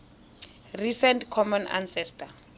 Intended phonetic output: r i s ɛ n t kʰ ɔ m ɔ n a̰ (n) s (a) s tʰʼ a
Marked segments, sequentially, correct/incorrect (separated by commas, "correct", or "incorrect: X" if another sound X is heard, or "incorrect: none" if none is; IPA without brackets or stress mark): correct, incorrect: ɛ